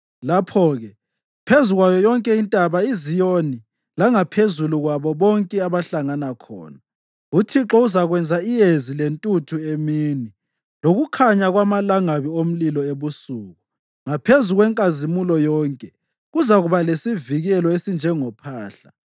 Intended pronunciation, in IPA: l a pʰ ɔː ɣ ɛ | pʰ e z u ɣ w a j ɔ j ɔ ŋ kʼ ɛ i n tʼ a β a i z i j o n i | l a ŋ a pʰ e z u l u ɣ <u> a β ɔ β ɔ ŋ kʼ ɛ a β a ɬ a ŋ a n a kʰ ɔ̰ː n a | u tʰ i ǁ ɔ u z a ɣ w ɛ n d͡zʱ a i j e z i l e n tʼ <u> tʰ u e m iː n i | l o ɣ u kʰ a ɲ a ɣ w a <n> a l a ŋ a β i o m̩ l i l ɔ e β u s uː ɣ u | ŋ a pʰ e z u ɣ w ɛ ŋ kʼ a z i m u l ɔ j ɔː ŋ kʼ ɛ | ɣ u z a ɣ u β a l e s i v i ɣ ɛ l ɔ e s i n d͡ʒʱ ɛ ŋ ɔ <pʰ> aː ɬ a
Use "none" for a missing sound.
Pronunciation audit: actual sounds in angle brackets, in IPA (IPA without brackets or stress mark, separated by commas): w, u, m, pʰ